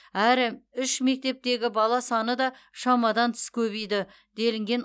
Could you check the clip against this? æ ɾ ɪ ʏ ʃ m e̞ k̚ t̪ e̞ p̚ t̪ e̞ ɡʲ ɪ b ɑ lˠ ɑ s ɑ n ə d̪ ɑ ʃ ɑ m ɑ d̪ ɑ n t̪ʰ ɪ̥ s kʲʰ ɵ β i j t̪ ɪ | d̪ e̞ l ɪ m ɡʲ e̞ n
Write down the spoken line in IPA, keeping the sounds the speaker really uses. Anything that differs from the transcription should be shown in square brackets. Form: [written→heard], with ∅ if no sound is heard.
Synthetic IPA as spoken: æ ɾ ɪ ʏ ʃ m e̞ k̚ t̪ e̞ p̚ t̪ e̞ ɡʲ ɪ b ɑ lˠ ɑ s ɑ n ə d̪ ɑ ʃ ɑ m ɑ d̪ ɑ n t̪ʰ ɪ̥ s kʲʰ ɵ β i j [t̪→d̪] ɪ | d̪ e̞ l ɪ [m→ŋ] ɡʲ e̞ n